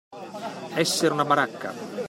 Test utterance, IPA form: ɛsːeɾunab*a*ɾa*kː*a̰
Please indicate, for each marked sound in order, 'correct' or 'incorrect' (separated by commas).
correct, correct